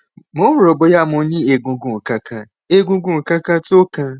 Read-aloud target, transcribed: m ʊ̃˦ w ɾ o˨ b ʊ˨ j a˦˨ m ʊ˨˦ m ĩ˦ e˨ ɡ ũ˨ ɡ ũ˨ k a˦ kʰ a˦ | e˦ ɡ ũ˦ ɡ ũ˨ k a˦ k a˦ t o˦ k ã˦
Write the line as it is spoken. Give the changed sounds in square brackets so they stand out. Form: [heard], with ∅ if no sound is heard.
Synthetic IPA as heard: m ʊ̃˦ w ɾ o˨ b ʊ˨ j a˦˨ m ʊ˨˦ [ɲ] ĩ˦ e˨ ɡ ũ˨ ɡ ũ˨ k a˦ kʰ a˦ | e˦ ɡ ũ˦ ɡ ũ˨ k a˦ k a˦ t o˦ k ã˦